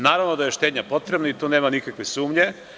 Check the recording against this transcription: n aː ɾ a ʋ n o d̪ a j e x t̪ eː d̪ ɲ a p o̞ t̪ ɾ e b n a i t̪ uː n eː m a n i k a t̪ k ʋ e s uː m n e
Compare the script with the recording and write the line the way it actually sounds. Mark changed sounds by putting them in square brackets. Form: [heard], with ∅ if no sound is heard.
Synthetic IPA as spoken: n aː ɾ a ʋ n o d̪ a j e [ʃ] t̪ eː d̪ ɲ a p o̞ t̪ ɾ e b n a i t̪ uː n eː m a n i k a [∅] k ʋ e s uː m [ɲ] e